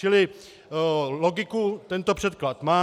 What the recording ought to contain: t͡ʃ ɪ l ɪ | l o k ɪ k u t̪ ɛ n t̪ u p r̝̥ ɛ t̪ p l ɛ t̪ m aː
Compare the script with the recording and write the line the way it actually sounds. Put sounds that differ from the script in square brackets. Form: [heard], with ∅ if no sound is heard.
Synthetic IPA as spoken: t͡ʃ ɪ l ɪ | l o [ɡ] ɪ k u t̪ ɛ n t̪ [o] p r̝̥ ɛ t̪ [k] l [a] t̪ m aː